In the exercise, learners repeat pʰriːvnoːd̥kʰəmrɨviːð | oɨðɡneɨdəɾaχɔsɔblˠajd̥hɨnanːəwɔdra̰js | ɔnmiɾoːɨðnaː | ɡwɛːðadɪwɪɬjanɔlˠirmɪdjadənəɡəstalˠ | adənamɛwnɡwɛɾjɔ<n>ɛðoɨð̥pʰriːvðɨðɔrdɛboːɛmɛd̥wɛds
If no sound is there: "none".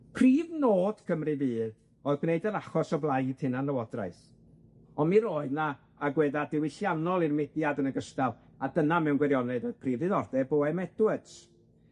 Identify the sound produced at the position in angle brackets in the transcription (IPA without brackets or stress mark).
n